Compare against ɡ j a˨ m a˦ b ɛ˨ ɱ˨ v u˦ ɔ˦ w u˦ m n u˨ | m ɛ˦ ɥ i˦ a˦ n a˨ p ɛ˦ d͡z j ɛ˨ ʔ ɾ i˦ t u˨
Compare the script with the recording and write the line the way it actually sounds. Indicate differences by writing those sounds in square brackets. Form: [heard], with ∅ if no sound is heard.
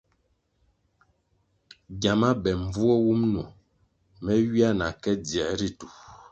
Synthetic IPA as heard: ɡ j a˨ m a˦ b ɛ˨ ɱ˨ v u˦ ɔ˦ w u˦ m n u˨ | m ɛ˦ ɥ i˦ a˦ n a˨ [k] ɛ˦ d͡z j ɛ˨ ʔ ɾ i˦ t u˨